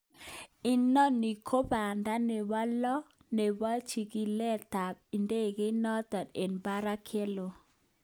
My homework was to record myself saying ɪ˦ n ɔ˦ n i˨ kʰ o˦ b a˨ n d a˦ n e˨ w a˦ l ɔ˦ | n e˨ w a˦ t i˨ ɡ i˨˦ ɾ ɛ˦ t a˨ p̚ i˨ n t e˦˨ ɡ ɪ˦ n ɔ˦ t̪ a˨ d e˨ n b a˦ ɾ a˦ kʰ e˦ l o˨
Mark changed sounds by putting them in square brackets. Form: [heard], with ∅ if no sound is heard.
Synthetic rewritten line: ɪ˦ n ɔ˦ n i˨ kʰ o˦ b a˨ n d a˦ n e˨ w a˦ l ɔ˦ | n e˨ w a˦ [t͡ʃ] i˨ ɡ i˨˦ [l] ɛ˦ t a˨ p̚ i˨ n [d] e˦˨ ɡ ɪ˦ n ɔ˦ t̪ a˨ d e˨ n b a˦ ɾ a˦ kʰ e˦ l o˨